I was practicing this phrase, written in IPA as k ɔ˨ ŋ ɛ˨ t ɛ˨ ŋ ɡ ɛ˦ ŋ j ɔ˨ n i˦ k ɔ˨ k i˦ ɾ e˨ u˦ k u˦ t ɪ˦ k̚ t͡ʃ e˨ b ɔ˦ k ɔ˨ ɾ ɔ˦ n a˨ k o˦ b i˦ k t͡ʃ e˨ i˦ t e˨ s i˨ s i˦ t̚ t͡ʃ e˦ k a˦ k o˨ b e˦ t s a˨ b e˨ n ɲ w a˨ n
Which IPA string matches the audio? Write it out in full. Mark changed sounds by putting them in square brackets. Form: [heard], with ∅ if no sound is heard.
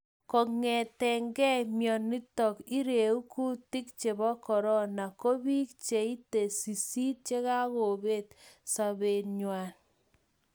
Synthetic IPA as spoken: k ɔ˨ ŋ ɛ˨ t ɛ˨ ŋ ɡ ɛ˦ [m] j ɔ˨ n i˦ [t] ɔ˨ k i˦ ɾ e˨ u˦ k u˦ t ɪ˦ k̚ t͡ʃ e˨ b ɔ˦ k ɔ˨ ɾ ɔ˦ n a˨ k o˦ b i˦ k t͡ʃ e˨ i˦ t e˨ s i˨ s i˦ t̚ t͡ʃ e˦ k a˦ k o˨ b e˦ t s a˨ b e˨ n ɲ w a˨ n